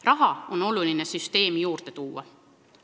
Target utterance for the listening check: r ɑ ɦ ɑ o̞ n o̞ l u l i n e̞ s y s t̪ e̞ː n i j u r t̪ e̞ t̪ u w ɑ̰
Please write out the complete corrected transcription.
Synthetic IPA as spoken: r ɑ ɦ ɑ o̞ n o̞ l u l i n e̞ s y s t̪ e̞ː m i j uː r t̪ e̞ t̪ uː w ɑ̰

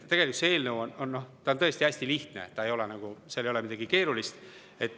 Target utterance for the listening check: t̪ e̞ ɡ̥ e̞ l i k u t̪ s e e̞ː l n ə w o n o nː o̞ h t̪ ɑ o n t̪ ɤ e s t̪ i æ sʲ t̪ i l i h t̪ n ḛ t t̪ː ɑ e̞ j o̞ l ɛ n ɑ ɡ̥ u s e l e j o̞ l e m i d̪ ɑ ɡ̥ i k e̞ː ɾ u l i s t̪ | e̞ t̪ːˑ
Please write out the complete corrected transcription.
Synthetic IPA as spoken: t̪ e̞ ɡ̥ e̞ l i k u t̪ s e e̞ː l n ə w o n o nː o̞ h t̪ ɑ o n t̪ ɤ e s t̪ i æ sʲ t̪ i l i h t̪ n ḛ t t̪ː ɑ e̞ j o̞ l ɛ n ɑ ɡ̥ u s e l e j o̞ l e m i d̪ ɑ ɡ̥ i k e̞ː ɾ u l i s t̪ | e̞ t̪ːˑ

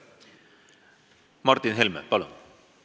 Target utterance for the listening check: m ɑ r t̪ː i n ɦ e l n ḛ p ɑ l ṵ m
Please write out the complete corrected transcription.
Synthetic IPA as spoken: m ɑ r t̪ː i n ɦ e l m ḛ p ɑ l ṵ n

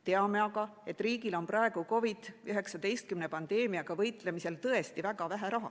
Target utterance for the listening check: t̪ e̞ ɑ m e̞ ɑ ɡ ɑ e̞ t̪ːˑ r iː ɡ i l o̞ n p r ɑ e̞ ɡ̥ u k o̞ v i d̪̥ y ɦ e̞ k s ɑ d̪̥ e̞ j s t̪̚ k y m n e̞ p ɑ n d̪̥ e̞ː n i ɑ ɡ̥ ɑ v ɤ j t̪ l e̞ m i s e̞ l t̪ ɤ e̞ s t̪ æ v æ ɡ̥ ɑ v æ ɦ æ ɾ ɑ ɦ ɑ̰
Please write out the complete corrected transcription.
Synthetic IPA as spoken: t̪ e̞ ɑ m e̞ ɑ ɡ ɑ e̞ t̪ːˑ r iː ɡ i l o̞ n p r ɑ e̞ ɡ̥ u k o̞ v i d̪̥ y ɦ e̞ k s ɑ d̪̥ e̞ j s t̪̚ k y m n e̞ p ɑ n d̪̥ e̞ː m i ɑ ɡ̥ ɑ v ɤ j t̪ l e̞ m i s e̞ l t̪ ɤ e̞ s t̪ i v æ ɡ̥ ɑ v æ ɦ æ ɾ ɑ ɦ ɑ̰

